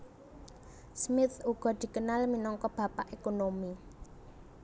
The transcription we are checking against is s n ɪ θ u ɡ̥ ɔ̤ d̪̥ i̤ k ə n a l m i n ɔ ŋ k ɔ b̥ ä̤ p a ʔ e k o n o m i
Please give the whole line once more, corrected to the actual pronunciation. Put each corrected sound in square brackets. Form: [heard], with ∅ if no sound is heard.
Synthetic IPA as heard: s [m] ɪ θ u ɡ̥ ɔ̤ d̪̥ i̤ k ə n a l m i n ɔ ŋ k ɔ b̥ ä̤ p a ʔ e k o n o m i